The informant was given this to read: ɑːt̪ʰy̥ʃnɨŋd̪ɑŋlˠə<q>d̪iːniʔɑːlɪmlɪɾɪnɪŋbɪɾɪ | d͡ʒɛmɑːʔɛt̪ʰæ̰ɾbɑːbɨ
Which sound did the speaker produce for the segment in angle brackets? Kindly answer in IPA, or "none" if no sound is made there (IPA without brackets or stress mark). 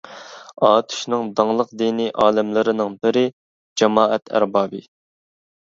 q